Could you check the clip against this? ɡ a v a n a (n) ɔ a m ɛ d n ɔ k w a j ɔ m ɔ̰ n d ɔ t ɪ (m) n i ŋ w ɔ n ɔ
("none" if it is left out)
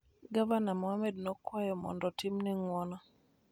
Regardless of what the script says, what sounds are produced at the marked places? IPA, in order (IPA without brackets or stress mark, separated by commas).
m, m